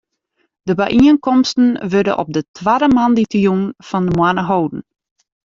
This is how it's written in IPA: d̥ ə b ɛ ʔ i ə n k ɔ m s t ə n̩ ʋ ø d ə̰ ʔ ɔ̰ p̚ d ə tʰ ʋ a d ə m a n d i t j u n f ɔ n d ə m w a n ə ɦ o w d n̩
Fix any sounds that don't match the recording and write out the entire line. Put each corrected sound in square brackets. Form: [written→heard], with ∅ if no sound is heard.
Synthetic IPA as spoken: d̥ ə b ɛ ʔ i ə n k ɔ m s t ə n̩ ʋ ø d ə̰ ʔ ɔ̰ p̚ d ə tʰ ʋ a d ə m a n d i t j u n f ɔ n d ə m w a n ə ɦ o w d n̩